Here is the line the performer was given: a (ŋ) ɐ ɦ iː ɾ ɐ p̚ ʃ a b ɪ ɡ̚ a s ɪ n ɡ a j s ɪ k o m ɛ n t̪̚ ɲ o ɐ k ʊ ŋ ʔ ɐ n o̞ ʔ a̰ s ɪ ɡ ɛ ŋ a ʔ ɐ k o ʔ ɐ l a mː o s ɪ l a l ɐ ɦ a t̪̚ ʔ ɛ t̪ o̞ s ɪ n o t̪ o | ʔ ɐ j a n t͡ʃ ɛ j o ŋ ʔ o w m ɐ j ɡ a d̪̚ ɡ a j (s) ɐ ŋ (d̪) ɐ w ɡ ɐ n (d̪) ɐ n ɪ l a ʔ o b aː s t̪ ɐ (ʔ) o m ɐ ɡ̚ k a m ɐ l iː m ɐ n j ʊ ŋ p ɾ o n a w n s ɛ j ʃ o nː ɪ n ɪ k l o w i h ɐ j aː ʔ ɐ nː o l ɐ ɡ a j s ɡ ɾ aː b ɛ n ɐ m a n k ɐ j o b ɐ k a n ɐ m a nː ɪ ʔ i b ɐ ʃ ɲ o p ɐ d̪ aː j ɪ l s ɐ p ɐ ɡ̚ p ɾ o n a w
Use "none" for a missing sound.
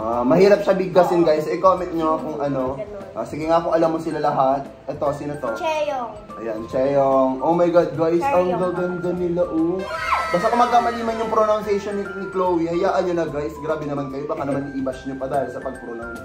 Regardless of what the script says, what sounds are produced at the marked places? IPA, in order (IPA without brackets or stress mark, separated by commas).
m, s, d̪, d̪, k